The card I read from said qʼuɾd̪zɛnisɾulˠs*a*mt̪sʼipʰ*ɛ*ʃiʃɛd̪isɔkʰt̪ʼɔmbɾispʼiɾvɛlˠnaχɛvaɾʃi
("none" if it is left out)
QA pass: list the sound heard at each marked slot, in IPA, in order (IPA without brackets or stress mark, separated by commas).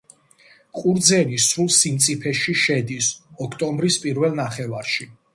i, ɛ